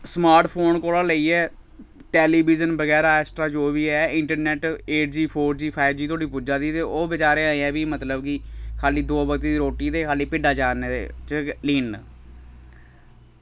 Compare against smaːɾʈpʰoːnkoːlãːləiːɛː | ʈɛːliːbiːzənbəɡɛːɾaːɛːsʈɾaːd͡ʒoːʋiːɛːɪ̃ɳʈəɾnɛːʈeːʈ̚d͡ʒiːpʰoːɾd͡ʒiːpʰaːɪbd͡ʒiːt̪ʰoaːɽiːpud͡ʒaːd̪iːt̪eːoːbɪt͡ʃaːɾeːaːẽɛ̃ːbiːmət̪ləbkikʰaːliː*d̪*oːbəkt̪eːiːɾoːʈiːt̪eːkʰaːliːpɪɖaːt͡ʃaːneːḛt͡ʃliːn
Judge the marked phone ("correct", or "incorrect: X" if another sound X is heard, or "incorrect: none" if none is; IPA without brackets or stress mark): correct